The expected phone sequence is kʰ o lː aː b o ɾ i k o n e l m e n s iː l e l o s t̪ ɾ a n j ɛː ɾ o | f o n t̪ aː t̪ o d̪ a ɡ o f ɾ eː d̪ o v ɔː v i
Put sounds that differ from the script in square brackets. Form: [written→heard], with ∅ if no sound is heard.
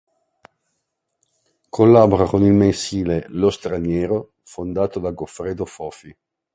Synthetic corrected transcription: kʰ o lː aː b o ɾ [i→a] k o n [e→i] l m e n s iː l e l o s t̪ ɾ a n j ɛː ɾ o | f o n [t̪→d̪] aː t̪ o d̪ a ɡ o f ɾ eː d̪ o [v→f] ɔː [v→f] i